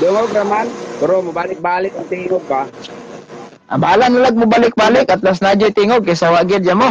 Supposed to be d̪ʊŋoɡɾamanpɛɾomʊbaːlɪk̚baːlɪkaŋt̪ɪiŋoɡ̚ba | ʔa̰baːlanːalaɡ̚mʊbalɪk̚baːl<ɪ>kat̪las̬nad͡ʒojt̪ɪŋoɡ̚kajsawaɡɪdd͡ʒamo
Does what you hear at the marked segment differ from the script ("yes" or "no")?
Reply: no